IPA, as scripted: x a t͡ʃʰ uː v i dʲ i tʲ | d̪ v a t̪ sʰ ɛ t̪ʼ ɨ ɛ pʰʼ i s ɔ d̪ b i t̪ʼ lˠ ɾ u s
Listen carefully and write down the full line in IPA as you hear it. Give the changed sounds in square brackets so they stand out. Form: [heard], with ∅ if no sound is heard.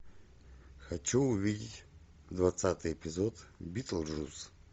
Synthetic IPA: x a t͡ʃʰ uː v i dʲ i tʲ | d̪ v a t̪ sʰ [a] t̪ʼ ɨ ɛ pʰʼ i [z] ɔ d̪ b i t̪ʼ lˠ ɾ u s